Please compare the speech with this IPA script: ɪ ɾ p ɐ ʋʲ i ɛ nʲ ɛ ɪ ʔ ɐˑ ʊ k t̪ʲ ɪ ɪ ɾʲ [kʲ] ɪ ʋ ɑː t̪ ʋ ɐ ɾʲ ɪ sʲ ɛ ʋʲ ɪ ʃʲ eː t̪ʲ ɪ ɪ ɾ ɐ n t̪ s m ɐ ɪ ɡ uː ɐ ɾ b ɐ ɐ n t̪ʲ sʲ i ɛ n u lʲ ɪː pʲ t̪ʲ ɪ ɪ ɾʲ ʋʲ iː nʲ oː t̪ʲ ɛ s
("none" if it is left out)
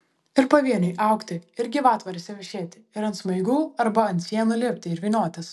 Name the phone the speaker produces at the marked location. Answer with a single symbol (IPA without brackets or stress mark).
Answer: ɡʲ